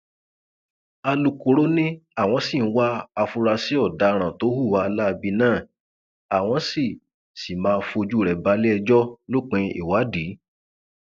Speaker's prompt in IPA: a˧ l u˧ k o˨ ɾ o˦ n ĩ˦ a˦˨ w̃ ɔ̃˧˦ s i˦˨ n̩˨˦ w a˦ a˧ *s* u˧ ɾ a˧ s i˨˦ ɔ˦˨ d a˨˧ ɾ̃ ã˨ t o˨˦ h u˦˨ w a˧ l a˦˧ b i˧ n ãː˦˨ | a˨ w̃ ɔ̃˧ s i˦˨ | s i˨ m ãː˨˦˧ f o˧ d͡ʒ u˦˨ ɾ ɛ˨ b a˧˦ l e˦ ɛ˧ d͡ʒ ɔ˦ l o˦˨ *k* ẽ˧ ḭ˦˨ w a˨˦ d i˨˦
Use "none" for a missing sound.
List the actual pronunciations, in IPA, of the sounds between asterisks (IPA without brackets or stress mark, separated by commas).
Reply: f, k͡p